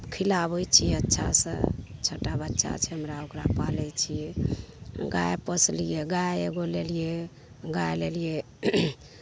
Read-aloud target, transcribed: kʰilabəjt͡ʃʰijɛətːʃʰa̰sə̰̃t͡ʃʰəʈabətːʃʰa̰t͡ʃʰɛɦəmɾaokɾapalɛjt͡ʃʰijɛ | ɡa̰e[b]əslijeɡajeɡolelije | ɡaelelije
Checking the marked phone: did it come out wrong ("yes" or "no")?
yes